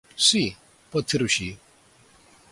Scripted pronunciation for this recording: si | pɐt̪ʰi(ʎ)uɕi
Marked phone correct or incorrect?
incorrect